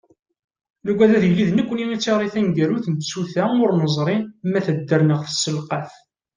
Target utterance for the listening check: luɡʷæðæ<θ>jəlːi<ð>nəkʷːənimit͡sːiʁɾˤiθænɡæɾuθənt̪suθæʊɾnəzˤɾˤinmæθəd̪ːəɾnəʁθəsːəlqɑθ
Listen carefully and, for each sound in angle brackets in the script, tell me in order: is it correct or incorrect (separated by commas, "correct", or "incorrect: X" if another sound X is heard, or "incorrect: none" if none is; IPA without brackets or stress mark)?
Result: incorrect: ð, correct